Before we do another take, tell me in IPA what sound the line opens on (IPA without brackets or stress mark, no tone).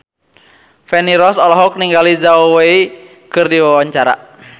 f